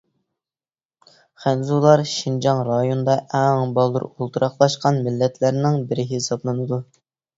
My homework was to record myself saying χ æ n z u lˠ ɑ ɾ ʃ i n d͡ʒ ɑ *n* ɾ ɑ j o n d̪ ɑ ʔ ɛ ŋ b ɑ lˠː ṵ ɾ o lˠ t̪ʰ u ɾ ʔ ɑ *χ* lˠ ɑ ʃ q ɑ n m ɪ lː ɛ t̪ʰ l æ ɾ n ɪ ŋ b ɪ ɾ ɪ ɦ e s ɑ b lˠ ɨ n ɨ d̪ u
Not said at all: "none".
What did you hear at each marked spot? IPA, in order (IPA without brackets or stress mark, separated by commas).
ŋ, χ